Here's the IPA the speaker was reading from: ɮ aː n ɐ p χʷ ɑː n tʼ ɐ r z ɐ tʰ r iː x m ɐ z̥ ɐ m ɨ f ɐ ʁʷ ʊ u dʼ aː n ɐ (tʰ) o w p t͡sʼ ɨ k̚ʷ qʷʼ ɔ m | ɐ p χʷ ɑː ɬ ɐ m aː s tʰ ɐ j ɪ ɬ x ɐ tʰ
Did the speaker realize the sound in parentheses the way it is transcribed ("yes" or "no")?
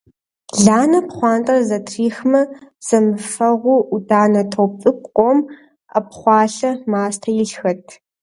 yes